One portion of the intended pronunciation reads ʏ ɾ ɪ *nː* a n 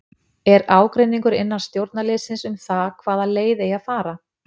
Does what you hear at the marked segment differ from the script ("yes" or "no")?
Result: no